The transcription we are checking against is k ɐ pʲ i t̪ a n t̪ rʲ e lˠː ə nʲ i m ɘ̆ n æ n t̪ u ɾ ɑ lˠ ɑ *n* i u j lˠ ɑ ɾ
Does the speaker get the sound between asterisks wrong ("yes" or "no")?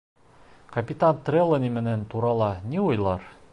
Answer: no